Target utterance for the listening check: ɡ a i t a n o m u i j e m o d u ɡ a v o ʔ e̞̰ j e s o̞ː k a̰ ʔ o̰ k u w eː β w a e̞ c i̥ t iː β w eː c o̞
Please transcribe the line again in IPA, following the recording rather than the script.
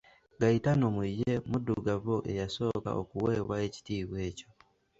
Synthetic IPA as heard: ɡ a i t a n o m u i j e m u d u ɡ a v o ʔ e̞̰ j a s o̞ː k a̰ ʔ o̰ k u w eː β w a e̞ c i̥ t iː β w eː c o̞